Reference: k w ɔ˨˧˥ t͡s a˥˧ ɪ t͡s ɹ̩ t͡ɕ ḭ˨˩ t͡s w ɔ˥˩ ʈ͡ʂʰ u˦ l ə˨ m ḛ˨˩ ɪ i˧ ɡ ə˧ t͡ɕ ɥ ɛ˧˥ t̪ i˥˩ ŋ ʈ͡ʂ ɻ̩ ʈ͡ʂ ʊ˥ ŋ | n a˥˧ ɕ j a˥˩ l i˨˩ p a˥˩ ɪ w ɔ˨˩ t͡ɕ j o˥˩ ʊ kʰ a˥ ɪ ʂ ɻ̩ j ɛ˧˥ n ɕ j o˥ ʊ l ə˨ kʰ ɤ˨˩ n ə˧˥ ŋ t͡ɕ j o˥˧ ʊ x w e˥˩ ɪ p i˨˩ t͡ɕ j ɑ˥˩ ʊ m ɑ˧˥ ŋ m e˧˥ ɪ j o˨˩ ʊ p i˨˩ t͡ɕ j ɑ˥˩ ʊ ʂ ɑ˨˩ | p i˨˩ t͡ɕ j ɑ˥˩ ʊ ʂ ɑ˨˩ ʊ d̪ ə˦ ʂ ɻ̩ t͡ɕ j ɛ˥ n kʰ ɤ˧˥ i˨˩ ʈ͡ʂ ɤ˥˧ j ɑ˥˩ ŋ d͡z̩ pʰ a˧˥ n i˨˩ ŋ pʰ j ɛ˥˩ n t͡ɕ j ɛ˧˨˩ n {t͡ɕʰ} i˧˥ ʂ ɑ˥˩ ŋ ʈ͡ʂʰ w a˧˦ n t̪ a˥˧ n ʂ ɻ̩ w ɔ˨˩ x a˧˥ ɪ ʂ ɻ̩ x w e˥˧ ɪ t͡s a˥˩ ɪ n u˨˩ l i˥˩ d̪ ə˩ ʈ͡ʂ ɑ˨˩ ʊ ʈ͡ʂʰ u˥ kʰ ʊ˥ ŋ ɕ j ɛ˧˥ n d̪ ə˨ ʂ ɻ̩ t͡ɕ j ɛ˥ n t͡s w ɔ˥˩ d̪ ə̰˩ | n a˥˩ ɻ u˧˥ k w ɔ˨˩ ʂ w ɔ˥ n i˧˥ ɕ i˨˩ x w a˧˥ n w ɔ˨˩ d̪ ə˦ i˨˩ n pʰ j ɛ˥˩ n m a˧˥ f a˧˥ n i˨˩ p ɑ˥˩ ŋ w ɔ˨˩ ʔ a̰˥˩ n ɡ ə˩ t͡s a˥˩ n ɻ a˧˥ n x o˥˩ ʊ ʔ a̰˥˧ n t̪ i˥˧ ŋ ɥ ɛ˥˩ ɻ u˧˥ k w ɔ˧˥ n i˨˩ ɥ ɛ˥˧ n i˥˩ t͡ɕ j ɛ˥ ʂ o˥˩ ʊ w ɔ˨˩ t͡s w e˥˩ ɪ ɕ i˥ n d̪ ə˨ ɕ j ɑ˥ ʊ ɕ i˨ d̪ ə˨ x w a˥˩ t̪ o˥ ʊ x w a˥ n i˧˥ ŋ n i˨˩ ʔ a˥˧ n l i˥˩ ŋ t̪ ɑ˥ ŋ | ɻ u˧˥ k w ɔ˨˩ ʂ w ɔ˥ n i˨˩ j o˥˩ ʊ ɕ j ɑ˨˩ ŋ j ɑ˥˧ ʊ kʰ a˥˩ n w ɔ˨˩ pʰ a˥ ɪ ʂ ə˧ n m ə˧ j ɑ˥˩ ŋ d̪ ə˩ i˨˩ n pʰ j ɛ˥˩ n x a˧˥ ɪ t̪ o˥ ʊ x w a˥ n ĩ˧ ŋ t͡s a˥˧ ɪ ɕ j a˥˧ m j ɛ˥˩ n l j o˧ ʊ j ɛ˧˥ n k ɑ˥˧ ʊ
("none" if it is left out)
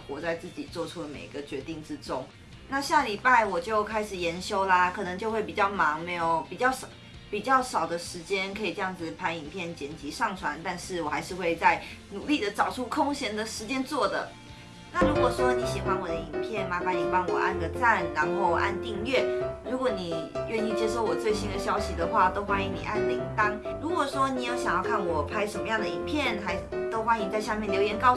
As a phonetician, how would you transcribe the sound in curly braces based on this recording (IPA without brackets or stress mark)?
t͡ɕ